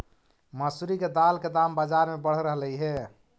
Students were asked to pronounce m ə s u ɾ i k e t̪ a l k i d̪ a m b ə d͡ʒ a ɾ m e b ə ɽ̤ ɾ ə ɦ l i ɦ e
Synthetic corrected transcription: m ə s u ɾ i k e d̪ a l k e d̪ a m b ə d͡ʒ a ɾ m e b ə ɽ̤ ɾ ə ɦ l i ɦ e